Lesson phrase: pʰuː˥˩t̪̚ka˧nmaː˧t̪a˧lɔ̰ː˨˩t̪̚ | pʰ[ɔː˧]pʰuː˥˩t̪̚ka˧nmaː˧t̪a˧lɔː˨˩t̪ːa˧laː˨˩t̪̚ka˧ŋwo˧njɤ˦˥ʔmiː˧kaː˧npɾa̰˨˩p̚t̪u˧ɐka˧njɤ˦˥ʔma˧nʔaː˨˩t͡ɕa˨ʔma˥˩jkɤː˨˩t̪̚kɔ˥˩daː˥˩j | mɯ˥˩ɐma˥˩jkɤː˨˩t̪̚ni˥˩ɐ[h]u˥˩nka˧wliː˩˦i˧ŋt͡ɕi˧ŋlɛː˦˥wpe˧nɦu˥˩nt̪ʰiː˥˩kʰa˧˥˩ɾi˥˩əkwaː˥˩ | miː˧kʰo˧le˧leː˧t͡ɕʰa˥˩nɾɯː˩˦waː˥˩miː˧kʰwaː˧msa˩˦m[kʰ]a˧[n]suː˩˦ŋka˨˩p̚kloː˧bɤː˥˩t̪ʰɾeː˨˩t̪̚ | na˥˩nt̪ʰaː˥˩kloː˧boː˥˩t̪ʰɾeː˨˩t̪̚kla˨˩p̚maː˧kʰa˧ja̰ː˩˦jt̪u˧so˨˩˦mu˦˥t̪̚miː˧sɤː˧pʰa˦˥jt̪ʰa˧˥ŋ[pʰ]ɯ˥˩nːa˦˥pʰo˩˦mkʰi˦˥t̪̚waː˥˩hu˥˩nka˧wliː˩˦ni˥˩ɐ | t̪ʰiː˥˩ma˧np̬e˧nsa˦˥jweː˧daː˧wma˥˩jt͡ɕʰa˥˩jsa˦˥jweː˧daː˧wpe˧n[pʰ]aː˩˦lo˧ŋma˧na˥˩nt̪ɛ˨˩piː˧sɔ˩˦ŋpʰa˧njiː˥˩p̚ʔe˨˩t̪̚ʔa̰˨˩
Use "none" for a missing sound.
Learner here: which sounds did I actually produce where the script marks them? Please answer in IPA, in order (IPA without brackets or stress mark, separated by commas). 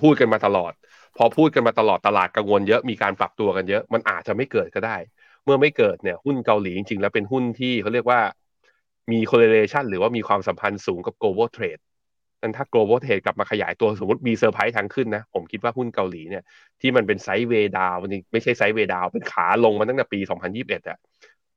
ɔ˧, h, pʰ, n, kʰ, kʰ